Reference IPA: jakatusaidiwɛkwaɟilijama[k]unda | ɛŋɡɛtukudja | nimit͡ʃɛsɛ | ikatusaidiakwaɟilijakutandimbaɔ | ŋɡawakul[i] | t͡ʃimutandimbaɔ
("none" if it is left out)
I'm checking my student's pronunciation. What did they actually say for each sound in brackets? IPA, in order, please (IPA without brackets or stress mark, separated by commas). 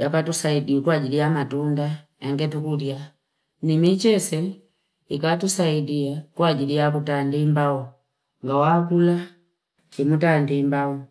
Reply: t, a